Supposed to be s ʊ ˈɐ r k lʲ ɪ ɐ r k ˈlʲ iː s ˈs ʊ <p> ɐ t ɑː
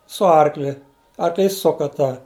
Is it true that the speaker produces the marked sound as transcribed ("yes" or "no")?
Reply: no